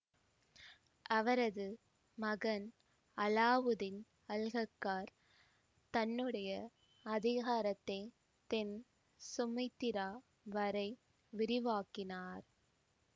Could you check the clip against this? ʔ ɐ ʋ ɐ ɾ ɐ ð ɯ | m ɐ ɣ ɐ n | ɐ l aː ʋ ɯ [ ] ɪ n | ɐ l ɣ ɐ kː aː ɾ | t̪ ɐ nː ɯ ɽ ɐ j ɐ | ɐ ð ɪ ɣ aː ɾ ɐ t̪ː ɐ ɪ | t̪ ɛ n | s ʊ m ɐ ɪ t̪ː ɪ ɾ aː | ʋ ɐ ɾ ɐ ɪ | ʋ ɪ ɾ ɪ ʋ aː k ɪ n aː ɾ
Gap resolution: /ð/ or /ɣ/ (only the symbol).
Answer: ð